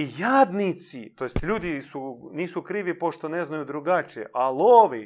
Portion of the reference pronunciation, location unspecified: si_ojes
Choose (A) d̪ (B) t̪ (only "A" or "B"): B